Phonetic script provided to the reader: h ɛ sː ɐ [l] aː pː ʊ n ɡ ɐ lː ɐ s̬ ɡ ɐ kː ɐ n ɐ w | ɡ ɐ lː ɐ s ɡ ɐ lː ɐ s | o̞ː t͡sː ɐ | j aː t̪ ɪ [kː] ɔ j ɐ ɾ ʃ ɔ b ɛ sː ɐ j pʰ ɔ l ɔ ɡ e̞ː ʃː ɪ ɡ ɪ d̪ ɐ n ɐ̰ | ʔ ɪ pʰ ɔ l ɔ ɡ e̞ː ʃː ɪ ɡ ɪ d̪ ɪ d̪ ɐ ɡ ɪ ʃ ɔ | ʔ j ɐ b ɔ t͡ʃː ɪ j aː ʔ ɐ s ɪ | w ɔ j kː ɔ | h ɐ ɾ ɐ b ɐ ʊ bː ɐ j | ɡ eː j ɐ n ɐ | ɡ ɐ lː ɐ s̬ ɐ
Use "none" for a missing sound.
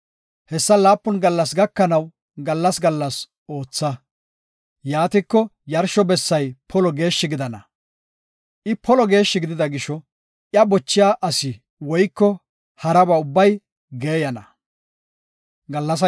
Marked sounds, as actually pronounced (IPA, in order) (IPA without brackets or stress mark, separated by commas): l, kː